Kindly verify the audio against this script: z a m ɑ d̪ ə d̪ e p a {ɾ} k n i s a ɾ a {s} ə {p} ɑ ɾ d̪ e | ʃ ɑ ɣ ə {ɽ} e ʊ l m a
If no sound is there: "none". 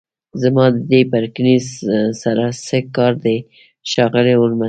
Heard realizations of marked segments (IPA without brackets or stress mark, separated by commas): ɾ, s, k, l